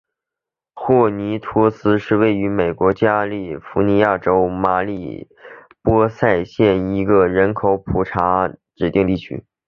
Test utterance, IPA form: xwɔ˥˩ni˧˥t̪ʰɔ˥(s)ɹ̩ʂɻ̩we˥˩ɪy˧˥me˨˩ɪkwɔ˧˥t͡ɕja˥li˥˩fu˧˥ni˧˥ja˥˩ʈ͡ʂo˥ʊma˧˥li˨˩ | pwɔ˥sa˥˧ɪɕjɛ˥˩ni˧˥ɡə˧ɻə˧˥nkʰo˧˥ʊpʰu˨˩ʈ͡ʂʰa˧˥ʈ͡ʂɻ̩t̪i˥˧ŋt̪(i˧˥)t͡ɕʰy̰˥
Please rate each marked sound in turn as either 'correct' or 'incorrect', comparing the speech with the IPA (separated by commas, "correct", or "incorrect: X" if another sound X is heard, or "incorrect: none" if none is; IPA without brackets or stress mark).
correct, incorrect: i˥˩